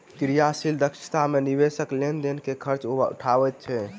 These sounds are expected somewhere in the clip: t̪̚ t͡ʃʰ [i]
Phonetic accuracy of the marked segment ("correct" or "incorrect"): incorrect